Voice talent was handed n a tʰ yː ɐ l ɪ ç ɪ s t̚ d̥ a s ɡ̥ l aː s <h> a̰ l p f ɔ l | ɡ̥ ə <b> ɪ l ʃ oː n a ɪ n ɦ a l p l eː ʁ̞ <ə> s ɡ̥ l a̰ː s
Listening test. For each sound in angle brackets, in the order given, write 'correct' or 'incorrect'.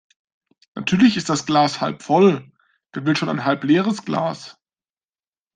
correct, incorrect: v, correct

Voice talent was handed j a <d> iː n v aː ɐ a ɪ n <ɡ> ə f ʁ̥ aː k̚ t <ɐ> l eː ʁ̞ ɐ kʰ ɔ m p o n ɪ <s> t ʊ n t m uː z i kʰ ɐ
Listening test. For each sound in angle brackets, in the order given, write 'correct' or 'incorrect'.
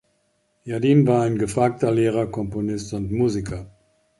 correct, correct, correct, correct

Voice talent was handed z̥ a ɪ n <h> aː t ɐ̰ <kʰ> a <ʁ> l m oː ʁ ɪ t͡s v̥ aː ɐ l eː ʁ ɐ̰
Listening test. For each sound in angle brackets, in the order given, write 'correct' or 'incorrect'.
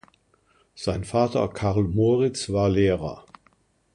incorrect: f, correct, correct

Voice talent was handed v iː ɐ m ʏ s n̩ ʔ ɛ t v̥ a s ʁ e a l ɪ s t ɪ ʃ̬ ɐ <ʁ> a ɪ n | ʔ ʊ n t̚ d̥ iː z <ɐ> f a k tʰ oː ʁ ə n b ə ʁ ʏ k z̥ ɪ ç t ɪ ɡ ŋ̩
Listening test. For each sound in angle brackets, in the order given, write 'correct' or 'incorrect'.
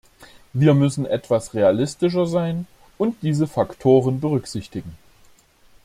incorrect: z, incorrect: ə

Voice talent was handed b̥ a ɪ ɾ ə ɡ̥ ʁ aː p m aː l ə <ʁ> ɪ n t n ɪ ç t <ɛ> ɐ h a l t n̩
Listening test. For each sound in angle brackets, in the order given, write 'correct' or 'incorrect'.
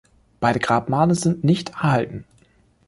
incorrect: z, correct

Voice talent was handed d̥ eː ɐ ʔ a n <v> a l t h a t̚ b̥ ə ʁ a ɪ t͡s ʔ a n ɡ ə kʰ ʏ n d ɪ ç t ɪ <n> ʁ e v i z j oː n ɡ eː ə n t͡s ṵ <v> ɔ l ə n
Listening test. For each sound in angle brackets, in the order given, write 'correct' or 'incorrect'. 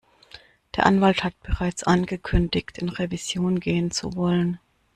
correct, correct, correct

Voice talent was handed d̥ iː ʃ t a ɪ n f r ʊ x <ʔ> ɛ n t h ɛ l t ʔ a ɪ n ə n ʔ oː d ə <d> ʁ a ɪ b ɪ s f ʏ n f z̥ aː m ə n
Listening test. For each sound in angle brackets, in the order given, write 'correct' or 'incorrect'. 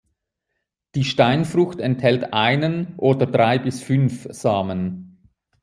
incorrect: t, correct

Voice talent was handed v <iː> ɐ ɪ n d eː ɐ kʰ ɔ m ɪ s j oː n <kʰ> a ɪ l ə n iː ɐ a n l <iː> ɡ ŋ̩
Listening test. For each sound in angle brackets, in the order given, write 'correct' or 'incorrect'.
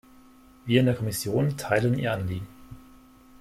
correct, incorrect: tʰ, correct

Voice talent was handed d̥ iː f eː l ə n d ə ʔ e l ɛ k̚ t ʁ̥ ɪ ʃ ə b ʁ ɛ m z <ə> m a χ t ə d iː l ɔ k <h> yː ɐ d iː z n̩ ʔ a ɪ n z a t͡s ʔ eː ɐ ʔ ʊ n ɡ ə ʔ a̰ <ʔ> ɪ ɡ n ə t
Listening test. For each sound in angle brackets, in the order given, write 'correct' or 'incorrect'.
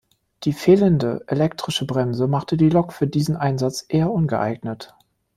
correct, incorrect: f, incorrect: none

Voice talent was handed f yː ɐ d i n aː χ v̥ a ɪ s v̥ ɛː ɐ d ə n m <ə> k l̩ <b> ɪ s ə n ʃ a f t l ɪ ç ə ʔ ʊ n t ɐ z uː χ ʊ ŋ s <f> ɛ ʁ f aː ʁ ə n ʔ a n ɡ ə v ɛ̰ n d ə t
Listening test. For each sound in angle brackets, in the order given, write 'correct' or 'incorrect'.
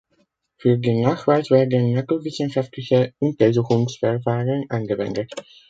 incorrect: a, incorrect: v, correct

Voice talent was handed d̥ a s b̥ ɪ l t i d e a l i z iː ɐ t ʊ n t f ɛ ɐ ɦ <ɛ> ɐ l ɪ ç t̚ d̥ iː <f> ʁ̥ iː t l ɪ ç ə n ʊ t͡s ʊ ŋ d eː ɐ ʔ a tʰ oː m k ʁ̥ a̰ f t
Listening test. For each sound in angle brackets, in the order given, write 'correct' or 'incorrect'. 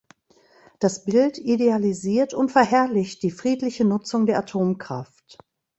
correct, correct

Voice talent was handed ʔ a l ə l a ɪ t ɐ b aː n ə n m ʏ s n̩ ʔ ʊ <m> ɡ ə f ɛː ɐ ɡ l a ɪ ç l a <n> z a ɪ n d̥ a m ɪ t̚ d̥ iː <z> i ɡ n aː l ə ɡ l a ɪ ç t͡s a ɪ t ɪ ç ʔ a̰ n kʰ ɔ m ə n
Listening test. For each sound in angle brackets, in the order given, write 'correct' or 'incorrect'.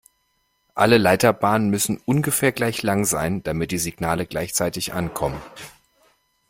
incorrect: n, incorrect: ŋ, correct

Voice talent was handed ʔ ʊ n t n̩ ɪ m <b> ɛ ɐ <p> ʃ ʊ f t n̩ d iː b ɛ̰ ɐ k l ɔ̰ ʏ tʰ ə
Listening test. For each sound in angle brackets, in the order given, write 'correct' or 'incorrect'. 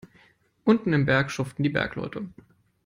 correct, incorrect: k

